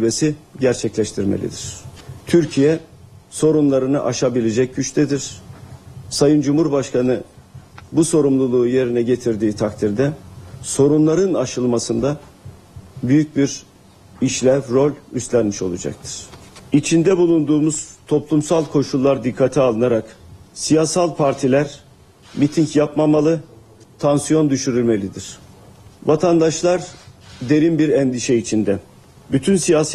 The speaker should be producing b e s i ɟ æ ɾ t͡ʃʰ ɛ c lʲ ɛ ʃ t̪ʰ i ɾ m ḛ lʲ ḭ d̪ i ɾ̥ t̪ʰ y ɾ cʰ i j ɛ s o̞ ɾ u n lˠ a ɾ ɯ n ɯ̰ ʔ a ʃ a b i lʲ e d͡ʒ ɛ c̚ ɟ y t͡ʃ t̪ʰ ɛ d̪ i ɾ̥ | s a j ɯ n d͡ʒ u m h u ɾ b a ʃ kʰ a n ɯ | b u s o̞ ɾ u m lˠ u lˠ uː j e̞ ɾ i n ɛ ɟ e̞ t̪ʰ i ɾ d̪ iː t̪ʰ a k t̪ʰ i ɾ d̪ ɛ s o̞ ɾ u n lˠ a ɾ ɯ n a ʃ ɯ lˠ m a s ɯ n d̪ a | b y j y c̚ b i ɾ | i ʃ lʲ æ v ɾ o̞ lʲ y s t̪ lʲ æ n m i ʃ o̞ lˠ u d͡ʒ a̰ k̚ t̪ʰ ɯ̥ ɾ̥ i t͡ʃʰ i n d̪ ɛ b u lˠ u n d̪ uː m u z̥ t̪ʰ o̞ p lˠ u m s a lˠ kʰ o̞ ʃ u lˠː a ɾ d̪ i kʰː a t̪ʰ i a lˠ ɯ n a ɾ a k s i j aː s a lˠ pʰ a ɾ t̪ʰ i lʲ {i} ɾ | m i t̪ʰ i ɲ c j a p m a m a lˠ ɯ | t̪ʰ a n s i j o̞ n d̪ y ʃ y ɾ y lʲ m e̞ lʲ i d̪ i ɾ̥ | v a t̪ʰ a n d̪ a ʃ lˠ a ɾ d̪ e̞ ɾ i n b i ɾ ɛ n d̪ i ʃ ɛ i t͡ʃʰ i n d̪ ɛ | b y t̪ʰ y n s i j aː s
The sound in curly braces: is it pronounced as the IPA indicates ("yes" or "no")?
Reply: no